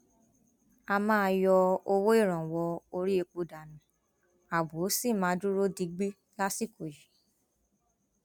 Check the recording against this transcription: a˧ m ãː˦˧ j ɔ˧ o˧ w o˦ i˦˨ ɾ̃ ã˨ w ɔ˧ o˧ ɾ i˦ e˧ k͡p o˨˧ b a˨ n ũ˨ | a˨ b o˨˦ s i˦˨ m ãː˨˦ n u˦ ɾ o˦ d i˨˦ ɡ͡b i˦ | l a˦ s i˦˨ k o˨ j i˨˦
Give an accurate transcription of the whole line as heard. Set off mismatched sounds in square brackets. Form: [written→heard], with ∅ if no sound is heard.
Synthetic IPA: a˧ m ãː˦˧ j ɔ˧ o˧ w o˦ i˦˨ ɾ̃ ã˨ w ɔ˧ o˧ ɾ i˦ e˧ k͡p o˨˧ [b→d] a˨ n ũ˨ | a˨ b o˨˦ s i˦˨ m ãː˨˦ [n→d] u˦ ɾ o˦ d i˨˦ ɡ͡b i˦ | l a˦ s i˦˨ k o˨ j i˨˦